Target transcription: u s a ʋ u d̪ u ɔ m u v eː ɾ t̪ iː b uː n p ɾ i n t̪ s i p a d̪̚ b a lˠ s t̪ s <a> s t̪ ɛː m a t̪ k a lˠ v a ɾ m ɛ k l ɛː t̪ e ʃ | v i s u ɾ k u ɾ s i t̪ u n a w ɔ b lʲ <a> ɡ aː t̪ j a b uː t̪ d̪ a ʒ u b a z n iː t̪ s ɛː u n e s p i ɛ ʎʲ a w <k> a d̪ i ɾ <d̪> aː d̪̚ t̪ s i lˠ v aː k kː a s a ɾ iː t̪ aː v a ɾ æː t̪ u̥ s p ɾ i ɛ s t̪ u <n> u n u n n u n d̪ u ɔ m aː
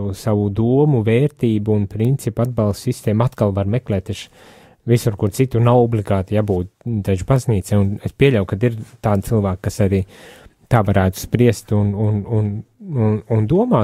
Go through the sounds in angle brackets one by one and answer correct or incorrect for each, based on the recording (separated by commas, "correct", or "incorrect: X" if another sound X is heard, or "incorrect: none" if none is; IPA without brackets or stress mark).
incorrect: i, incorrect: i, correct, incorrect: t̪, correct